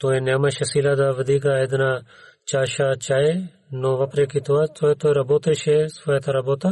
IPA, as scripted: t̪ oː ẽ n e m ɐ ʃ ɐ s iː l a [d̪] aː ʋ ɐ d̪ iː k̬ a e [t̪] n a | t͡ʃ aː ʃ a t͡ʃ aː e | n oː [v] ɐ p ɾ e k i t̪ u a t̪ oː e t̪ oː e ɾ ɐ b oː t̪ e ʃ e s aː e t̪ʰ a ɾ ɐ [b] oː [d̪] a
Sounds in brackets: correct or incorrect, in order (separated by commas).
correct, incorrect, incorrect, correct, incorrect